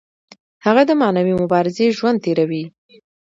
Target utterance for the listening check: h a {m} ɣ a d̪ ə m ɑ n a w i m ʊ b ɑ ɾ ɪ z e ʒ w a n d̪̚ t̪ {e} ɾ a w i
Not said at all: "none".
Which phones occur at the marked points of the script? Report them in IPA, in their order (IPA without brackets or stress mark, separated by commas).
none, e